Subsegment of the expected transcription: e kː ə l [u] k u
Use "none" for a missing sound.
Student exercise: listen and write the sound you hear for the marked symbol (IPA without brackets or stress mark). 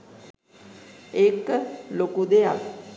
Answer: o